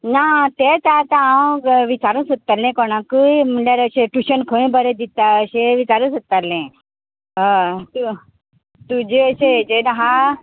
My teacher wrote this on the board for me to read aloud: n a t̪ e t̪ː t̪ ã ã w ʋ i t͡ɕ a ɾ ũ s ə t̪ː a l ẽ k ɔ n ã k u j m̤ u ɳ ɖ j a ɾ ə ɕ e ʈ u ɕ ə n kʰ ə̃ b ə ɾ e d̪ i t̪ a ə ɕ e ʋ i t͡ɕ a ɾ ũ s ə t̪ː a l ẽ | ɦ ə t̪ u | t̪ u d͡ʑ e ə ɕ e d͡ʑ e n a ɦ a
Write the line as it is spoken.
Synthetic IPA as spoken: n a t̪ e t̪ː t̪ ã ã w ʋ i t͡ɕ a ɾ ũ s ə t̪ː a l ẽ k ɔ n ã k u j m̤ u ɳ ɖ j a ɾ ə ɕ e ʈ u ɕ ə n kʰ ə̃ b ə ɾ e d̪ i t̪ a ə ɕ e ʋ i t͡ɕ a ɾ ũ s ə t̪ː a l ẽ | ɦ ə t̪ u | t̪ u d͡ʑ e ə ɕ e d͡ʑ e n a ɦ a